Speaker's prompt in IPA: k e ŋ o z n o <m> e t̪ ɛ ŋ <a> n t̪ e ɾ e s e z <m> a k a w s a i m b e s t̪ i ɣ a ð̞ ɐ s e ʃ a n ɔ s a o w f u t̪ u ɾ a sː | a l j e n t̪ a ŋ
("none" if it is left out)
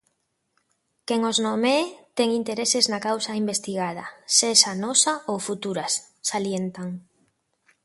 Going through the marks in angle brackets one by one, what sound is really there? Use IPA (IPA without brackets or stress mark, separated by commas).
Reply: m, i, n